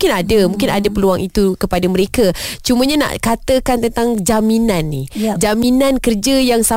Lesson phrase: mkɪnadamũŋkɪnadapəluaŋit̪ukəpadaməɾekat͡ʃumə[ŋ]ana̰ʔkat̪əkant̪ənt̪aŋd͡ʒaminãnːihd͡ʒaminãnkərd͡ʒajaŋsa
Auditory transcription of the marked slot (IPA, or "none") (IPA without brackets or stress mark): ɲ